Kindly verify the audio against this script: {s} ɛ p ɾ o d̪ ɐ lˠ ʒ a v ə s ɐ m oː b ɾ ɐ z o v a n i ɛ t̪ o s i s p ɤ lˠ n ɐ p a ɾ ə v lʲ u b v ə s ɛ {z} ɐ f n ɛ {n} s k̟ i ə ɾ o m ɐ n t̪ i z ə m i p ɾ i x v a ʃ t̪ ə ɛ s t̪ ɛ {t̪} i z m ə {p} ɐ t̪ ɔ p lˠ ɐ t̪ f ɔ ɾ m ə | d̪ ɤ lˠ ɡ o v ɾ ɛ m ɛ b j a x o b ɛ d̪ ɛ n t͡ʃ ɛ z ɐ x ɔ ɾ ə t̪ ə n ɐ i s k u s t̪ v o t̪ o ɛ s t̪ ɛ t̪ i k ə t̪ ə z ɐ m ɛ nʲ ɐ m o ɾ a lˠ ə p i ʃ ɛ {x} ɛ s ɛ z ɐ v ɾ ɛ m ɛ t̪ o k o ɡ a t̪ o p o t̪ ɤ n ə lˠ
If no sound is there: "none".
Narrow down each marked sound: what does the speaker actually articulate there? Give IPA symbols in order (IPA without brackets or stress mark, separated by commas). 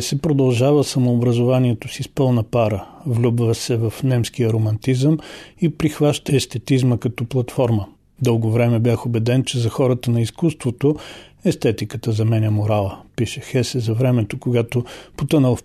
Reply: s, v, m, t̪, k, x